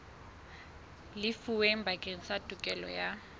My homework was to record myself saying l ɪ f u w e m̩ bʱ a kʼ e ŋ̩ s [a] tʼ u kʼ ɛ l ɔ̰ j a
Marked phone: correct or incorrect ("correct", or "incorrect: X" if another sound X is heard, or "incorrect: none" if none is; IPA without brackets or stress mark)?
correct